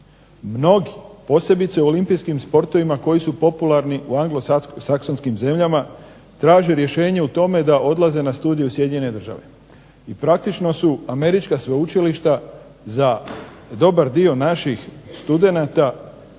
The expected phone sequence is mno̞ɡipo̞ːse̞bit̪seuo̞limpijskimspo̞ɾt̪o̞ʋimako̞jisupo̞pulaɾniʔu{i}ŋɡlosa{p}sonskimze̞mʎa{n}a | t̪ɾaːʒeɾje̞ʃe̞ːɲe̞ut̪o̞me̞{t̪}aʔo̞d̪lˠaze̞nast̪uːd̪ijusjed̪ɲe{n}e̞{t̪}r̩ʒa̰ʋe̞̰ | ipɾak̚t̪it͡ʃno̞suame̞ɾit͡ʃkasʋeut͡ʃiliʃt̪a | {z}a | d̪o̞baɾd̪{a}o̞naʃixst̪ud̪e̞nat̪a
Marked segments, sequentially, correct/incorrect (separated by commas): incorrect, incorrect, incorrect, incorrect, correct, incorrect, correct, incorrect